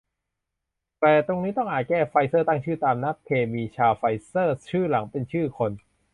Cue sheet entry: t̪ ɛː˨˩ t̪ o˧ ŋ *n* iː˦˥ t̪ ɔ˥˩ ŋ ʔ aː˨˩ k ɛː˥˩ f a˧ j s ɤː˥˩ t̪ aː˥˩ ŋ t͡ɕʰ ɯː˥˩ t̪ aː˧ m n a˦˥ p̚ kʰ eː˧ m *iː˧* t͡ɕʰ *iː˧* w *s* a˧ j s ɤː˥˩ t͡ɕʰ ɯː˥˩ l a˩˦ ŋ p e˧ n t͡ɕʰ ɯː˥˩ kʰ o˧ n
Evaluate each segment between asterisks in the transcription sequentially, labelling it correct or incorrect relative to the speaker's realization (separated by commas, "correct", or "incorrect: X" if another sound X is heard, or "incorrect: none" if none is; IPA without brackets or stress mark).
correct, correct, incorrect: aː˧, incorrect: f